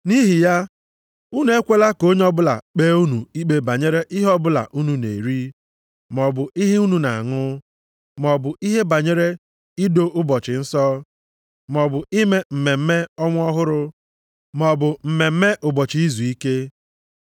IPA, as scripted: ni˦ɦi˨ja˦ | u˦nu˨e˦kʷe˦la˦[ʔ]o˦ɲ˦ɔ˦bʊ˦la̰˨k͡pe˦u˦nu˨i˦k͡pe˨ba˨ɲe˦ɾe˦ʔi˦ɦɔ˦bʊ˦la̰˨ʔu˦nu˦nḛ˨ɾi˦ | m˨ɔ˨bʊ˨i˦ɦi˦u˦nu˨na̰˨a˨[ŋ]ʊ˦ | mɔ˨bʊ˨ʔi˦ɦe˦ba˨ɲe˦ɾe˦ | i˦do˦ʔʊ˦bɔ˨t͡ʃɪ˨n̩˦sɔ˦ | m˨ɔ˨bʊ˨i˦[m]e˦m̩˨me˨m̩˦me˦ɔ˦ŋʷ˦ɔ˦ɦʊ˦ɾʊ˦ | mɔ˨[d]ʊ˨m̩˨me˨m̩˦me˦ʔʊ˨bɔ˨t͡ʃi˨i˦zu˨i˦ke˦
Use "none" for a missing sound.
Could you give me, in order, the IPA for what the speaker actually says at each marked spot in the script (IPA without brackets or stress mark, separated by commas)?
k, ŋ, m, b